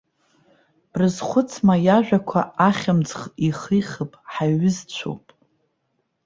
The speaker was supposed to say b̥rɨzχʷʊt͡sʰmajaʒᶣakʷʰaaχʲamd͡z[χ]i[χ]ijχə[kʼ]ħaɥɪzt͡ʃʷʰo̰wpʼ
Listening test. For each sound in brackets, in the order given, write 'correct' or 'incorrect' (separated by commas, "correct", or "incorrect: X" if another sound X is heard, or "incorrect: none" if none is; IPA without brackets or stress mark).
correct, correct, incorrect: pʼ